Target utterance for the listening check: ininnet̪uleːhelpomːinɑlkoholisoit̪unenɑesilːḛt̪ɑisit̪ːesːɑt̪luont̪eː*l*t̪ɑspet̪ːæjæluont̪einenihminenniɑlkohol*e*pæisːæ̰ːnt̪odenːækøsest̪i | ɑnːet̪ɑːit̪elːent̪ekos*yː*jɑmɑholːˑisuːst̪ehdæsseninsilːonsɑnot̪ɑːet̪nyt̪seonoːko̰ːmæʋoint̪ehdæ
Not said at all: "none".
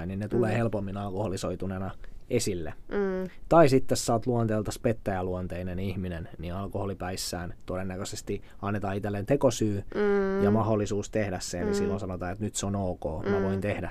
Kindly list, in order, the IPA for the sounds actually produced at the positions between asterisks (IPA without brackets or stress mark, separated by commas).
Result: l, i, yː